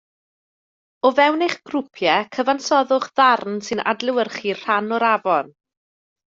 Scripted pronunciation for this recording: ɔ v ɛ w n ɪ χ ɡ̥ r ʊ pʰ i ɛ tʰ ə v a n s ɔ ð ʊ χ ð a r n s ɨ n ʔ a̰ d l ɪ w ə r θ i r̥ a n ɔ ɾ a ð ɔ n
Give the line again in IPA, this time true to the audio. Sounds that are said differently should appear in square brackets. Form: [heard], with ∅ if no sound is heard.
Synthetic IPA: ɔ v ɛ w n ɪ χ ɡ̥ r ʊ pʰ [j] ɛ [kʰ] ə v a n s ɔ ð ʊ χ ð a r n s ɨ n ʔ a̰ d l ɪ w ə r [χ] i r̥ a n ɔ ɾ a [v] ɔ n